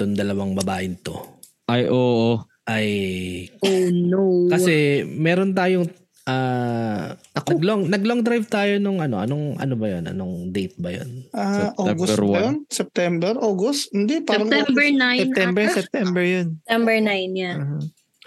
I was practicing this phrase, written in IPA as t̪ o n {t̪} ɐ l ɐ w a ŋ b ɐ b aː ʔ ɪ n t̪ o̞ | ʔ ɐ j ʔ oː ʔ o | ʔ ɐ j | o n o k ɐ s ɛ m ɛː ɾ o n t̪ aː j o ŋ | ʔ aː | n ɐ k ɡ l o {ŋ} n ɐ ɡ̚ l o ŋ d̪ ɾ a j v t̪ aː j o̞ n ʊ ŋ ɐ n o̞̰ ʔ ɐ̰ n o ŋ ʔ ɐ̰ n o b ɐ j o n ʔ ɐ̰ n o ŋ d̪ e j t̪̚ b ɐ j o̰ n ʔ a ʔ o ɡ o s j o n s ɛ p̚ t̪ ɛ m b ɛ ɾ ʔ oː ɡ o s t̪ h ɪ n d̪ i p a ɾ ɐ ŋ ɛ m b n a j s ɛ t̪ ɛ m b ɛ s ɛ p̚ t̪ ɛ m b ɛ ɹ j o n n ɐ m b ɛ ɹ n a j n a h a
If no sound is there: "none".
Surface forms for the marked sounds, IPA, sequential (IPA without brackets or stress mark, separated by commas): d̪, ŋ